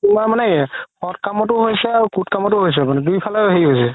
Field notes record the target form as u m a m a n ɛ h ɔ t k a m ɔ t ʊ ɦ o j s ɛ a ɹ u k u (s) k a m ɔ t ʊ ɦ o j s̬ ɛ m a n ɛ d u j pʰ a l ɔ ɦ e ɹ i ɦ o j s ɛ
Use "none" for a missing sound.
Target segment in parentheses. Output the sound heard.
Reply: t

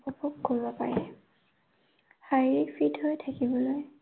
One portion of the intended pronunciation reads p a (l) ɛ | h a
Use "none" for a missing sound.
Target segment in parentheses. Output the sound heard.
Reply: ɹ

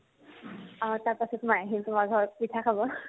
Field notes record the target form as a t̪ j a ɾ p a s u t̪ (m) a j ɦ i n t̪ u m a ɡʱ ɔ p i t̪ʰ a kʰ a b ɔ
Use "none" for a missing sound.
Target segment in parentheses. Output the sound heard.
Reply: m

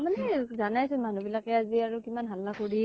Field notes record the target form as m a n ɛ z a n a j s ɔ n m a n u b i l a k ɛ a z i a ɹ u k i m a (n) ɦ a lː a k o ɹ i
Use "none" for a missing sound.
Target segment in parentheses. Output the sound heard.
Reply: n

